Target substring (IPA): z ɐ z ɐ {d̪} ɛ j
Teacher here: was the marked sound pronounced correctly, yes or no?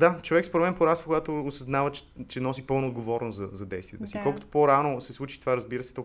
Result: yes